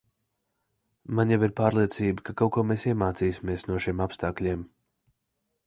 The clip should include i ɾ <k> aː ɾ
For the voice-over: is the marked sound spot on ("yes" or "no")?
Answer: no